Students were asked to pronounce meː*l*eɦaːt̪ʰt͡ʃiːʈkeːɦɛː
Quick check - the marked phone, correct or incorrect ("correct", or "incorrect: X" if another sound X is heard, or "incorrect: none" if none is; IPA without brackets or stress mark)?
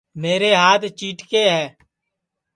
incorrect: ɾ